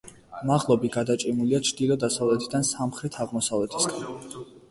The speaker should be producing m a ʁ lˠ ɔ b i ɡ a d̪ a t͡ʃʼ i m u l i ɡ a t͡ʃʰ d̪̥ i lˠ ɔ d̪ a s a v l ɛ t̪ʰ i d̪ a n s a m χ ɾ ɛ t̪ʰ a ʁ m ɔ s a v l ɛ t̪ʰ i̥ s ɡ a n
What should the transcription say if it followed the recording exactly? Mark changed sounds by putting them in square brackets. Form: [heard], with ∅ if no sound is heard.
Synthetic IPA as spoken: m a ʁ lˠ ɔ b i ɡ a d̪ a t͡ʃʼ i m u l i [∅] a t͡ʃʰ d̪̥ i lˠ ɔ d̪ a s a v l ɛ t̪ʰ i d̪ a n s a m χ ɾ ɛ t̪ʰ a ʁ m ɔ s a v l ɛ t̪ʰ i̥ s ɡ a n